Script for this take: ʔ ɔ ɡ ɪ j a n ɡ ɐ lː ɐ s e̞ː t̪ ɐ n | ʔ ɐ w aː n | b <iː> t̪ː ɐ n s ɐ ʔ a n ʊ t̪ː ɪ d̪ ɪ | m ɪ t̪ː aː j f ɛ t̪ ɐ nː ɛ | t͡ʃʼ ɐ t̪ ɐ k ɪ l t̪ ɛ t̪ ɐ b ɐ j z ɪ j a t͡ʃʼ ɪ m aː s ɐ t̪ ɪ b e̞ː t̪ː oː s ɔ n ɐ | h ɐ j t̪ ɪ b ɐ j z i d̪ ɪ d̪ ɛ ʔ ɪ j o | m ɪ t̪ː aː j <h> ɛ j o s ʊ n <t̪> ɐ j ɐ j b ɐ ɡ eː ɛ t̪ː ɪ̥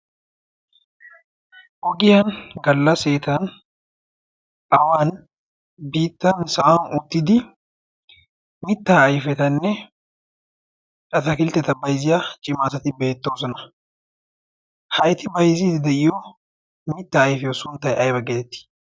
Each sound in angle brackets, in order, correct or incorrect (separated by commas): correct, incorrect, correct